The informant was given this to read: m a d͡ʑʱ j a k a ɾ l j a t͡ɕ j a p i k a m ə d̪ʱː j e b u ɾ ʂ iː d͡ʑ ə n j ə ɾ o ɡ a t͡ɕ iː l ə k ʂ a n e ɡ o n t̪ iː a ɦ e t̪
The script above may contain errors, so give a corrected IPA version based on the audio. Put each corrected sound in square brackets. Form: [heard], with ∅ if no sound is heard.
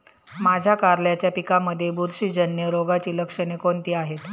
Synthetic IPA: m a d͡ʑʱ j a k a ɾ l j a t͡ɕ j a p i k a m ə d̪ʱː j e b u ɾ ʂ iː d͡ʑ ə n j ə ɾ o ɡ a t͡ɕ iː l ə k ʂ [ə] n e [k] o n t̪ iː a ɦ e t̪